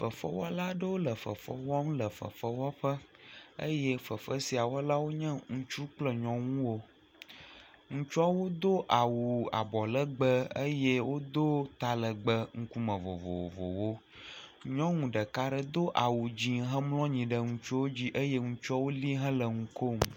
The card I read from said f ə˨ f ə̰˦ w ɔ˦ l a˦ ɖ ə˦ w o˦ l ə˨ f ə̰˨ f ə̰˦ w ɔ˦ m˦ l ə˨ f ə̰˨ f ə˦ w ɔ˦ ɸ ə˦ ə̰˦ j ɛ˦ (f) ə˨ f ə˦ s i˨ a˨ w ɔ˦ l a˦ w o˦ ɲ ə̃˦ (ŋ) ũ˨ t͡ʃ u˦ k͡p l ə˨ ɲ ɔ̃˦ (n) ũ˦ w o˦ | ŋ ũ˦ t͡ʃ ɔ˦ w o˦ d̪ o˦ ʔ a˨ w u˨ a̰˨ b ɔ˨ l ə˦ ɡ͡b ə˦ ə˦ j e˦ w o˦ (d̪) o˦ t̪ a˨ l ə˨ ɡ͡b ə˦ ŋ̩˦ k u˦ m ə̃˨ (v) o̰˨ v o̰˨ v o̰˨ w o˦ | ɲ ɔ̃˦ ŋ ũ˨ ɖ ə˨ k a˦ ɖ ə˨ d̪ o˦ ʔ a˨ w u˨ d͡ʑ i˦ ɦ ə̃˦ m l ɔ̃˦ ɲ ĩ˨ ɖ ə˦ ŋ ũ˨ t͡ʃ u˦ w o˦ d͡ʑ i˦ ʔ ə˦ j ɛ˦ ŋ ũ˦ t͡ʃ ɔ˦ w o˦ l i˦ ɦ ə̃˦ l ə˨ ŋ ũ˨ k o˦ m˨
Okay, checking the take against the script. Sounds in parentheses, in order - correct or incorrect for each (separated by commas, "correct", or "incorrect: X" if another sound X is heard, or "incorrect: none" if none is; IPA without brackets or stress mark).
correct, correct, incorrect: ŋ, correct, correct